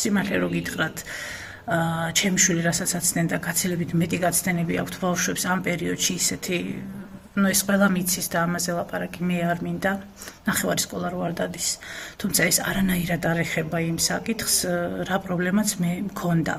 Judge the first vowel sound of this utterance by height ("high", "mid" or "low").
high